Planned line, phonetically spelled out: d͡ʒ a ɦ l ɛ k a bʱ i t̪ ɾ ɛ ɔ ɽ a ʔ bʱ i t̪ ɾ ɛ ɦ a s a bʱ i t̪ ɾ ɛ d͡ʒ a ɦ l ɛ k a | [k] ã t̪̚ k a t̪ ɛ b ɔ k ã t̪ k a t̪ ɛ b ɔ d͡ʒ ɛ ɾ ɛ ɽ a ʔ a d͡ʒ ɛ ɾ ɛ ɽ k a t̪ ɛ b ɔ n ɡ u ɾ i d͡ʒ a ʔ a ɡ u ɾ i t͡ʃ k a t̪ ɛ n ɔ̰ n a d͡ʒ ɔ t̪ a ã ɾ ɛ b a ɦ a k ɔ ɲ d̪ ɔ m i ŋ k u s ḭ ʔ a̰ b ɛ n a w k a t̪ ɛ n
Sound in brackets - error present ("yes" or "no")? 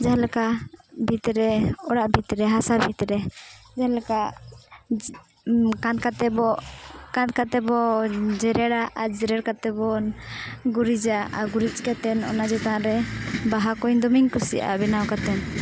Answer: no